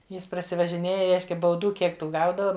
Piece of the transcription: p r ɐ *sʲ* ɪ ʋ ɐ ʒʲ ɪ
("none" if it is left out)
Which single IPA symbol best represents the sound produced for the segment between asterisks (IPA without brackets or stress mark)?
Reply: sʲ